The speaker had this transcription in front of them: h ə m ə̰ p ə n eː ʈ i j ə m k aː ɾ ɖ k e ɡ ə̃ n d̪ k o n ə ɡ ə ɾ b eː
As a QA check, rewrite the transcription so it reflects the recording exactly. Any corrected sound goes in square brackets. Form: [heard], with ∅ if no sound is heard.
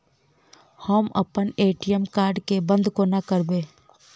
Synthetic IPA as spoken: h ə m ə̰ p ə n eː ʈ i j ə m k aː ɾ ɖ k e [b] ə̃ n d̪ k o n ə [k] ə ɾ b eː